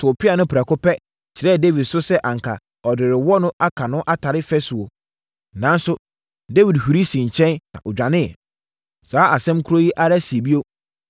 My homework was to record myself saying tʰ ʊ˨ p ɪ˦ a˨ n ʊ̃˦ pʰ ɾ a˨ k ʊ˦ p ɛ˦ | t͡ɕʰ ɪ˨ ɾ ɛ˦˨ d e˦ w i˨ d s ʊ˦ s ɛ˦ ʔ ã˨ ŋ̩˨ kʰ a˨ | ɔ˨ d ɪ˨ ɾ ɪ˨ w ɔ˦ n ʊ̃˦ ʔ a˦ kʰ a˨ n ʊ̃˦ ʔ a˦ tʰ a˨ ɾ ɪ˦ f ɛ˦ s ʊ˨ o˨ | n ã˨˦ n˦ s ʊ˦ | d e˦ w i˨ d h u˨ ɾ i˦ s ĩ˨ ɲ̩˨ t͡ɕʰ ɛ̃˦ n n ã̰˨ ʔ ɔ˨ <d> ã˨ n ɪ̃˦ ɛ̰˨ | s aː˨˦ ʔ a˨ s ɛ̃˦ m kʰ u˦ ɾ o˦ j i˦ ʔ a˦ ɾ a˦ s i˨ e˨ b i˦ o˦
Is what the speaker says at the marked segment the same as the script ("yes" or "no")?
no